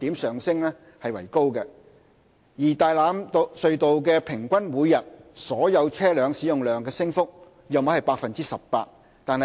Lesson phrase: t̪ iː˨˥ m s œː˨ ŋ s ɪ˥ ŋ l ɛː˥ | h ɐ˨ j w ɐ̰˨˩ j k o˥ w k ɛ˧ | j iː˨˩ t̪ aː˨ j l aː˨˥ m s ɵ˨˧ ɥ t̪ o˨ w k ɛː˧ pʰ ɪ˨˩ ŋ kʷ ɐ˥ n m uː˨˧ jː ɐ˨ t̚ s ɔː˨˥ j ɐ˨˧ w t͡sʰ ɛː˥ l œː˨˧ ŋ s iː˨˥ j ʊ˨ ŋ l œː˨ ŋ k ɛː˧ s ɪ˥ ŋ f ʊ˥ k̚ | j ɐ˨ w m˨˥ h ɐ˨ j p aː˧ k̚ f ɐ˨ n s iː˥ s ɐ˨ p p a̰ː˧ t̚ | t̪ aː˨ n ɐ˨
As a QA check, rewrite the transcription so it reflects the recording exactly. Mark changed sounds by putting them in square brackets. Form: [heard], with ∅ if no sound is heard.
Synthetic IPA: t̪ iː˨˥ m s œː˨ ŋ s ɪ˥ ŋ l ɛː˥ | h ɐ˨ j w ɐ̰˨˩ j k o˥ w k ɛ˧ | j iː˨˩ t̪ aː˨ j l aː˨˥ m s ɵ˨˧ ɥ t̪ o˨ w k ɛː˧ pʰ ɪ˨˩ ŋ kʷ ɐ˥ n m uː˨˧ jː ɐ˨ t̚ s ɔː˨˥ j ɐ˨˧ w t͡sʰ ɛː˥ l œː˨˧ ŋ s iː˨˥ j ʊ˨ ŋ l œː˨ ŋ k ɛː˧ s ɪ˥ ŋ f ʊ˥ k̚ | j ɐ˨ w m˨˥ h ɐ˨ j p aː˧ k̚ f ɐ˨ n [t͡s] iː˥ s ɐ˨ p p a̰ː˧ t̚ | t̪ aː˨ n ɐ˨

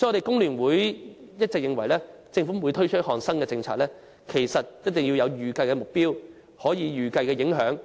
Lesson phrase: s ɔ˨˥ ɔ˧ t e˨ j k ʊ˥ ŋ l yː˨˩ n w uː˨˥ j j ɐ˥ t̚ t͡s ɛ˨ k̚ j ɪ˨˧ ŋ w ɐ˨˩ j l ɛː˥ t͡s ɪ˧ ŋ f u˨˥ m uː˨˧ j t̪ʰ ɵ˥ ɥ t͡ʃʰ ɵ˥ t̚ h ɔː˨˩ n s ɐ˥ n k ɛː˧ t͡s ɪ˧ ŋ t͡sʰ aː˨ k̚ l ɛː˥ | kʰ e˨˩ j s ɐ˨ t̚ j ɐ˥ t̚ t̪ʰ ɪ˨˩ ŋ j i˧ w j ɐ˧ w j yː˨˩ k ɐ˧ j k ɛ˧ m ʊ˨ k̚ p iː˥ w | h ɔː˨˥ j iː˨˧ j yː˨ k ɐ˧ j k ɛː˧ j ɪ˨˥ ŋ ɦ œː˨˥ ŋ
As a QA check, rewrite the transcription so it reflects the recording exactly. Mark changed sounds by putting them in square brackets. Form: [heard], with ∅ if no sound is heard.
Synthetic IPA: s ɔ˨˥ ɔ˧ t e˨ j k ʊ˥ ŋ l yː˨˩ n w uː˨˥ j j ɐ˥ t̚ t͡s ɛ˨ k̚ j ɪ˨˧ ŋ w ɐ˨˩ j l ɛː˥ t͡s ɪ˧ ŋ f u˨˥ m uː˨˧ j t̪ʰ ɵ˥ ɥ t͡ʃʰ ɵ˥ t̚ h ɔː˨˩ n s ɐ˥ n k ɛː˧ t͡s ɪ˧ ŋ t͡sʰ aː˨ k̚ l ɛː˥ | kʰ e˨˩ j s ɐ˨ t̚ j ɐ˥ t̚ [t̪] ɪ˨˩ ŋ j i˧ w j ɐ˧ w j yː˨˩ k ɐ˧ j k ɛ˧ m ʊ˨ k̚ p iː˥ w | h ɔː˨˥ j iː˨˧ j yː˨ k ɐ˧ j k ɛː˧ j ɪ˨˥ ŋ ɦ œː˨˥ ŋ

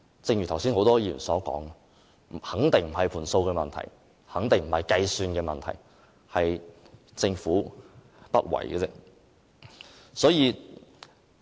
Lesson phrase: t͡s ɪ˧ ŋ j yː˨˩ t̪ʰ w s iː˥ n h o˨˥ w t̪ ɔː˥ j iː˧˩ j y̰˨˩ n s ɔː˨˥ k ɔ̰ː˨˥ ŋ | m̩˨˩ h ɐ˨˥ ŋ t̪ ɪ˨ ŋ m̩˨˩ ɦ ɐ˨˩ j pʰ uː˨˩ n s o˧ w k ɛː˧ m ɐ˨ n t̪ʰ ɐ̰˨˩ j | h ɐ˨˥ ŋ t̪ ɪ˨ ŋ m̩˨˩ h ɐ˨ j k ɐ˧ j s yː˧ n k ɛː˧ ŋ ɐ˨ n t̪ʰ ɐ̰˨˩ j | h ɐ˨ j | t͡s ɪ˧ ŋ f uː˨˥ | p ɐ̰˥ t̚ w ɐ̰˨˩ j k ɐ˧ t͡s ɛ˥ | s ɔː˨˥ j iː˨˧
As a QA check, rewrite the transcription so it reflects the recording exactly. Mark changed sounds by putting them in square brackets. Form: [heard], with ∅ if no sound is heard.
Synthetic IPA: t͡s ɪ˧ ŋ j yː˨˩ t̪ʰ w s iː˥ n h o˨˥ w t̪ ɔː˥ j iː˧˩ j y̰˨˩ n s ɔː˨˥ k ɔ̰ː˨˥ ŋ | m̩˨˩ h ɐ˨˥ ŋ t̪ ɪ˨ ŋ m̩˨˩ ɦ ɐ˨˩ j pʰ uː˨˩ n s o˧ w k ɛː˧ m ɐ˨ n t̪ʰ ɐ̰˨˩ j | h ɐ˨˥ ŋ t̪ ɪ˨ ŋ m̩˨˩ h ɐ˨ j k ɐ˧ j s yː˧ n k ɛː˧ [m] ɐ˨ n t̪ʰ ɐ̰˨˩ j | h ɐ˨ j | t͡s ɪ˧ ŋ f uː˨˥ | p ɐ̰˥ t̚ w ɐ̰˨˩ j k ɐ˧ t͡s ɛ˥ | s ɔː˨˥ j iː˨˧

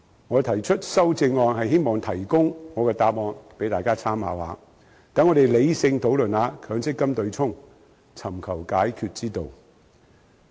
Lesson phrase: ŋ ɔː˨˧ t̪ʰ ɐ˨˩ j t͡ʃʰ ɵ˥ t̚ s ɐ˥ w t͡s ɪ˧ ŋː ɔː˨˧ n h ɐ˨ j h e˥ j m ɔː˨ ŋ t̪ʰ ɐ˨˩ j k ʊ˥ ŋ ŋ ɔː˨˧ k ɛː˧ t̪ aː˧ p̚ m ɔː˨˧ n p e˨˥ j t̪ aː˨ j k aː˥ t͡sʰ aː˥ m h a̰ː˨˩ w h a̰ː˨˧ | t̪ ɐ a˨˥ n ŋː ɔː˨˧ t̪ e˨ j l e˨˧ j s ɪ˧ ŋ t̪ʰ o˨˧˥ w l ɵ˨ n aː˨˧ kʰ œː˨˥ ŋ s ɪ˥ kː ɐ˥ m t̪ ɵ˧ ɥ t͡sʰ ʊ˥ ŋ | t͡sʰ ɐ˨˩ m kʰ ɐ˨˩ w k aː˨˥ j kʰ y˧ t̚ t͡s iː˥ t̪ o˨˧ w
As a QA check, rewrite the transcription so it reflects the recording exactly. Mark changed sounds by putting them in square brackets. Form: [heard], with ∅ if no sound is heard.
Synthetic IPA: ŋ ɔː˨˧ t̪ʰ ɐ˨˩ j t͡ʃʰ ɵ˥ t̚ s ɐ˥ w t͡s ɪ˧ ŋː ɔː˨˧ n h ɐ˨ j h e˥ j m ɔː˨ ŋ t̪ʰ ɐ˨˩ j k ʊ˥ ŋ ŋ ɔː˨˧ k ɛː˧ t̪ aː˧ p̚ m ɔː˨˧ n p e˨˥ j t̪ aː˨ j k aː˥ t͡sʰ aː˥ m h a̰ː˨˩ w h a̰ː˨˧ | t̪ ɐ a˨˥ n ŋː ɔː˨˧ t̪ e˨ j l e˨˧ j s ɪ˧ ŋ t̪ʰ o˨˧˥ w l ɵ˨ n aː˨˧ kʰ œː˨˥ ŋ s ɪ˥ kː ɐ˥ m t̪ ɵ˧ ɥ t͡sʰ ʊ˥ ŋ | t͡sʰ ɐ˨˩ m kʰ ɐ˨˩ w k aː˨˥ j kʰ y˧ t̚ t͡s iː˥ t̪ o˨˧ w

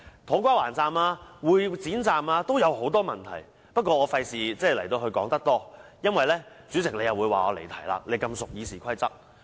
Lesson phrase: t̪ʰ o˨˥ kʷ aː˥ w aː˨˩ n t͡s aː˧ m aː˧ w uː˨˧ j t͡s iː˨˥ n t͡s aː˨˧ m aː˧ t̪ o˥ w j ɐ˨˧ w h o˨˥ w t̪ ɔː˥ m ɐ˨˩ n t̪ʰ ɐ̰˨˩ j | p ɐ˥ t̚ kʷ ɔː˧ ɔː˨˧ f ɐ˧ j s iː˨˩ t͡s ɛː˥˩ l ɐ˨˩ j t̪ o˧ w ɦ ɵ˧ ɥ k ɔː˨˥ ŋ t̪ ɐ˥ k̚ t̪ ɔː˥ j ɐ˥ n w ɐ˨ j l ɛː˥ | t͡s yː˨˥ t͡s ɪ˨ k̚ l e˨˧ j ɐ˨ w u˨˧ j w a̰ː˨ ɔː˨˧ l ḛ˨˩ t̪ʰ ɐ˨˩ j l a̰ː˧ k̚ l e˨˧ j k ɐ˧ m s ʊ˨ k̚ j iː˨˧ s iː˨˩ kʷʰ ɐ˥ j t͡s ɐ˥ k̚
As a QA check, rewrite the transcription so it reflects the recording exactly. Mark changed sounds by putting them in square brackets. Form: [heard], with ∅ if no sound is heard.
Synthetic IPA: t̪ʰ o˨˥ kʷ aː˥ w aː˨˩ n t͡s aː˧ m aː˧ w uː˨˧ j t͡s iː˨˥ n t͡s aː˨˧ m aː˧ t̪ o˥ w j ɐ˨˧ w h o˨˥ w t̪ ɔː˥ m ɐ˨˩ n t̪ʰ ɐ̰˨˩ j | p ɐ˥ t̚ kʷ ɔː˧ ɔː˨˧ f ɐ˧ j s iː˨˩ t͡s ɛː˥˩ l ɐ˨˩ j t̪ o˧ w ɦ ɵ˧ ɥ k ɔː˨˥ ŋ t̪ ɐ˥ k̚ t̪ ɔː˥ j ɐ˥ n w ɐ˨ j l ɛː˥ | t͡s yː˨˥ t͡s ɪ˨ k̚ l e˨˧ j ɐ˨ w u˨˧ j w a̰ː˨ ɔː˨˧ l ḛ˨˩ t̪ʰ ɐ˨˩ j l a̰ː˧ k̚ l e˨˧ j k ɐ˧ m s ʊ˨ k̚ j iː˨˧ s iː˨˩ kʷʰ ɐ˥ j t͡s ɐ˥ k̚

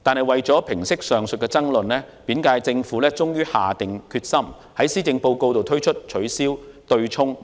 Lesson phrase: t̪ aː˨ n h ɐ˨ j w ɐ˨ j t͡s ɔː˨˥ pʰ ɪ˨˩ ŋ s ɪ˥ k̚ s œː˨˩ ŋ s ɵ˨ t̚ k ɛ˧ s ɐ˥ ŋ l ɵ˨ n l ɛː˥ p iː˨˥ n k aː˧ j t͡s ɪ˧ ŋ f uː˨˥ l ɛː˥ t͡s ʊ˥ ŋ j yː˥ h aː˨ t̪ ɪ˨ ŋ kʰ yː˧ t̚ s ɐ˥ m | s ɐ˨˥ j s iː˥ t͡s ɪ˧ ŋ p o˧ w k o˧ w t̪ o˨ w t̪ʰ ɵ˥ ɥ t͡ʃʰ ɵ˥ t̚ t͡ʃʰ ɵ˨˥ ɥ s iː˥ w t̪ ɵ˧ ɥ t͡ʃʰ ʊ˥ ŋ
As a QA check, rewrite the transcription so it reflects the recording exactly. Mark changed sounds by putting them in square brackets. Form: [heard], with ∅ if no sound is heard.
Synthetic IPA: t̪ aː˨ n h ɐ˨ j w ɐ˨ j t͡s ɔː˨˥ pʰ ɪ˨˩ ŋ s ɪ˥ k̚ s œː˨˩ ŋ s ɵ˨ t̚ k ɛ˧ [t͡s] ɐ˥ ŋ l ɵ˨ n l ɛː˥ p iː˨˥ n k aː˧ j t͡s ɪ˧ ŋ f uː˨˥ l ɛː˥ t͡s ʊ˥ ŋ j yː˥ h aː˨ t̪ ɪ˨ ŋ kʰ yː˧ t̚ s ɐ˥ m | [h] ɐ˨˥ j s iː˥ t͡s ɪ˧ ŋ p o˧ w k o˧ w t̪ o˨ w t̪ʰ ɵ˥ ɥ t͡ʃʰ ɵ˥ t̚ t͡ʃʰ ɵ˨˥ ɥ s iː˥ w t̪ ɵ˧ ɥ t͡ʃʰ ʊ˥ ŋ

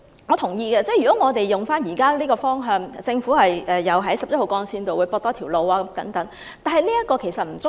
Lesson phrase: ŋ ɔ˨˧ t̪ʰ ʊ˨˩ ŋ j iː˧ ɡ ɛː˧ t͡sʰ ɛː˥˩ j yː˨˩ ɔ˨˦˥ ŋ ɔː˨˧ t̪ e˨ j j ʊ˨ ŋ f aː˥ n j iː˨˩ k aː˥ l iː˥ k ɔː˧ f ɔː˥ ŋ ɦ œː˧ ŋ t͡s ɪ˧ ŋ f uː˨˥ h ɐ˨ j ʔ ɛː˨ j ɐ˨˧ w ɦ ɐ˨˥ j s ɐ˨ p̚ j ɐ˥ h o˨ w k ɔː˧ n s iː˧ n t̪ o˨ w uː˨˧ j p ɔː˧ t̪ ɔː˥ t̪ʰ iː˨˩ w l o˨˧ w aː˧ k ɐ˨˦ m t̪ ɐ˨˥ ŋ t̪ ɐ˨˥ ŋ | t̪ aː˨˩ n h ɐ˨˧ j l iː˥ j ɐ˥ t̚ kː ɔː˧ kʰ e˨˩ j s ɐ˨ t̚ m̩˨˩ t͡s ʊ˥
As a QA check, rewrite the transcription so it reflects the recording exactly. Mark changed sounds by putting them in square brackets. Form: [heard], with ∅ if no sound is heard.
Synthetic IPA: ŋ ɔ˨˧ t̪ʰ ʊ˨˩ ŋ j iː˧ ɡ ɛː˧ [t͡s] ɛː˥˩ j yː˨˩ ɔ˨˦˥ ŋ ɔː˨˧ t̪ e˨ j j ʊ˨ ŋ f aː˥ n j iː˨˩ k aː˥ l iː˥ k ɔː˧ f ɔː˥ ŋ ɦ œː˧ ŋ t͡s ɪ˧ ŋ f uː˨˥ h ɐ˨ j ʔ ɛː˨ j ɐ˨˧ w ɦ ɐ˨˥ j s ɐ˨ p̚ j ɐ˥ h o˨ w k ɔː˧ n s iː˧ n t̪ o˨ w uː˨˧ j p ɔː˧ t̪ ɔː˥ t̪ʰ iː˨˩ w l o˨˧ w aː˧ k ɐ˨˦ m t̪ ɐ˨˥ ŋ t̪ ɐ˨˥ ŋ | t̪ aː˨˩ n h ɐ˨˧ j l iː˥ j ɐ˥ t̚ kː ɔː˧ kʰ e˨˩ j s ɐ˨ t̚ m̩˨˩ t͡s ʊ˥

